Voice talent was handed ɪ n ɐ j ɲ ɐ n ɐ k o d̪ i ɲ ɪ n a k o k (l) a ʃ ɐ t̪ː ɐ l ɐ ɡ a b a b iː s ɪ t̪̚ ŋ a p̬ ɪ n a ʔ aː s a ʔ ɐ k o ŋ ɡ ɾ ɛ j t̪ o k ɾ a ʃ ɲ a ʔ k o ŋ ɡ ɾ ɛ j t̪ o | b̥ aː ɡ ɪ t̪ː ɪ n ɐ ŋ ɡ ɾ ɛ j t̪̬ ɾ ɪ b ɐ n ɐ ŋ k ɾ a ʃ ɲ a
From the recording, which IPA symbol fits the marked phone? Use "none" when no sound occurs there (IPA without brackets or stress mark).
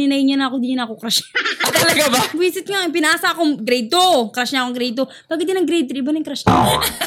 ɾ